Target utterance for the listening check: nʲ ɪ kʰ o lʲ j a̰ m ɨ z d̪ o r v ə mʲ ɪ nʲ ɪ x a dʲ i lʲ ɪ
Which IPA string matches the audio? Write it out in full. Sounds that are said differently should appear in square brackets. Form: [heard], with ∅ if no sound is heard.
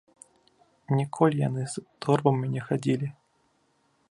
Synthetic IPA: nʲ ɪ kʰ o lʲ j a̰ [n] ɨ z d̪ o r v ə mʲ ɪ nʲ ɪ x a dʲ i lʲ ɪ